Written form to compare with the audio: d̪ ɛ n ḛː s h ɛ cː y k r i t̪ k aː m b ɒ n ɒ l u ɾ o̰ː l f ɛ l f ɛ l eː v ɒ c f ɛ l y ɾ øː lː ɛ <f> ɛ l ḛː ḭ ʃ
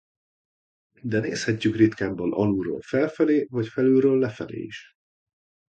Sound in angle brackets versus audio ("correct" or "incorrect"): correct